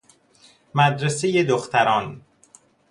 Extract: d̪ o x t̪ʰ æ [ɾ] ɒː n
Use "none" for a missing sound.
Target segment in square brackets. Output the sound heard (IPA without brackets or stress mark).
ɾ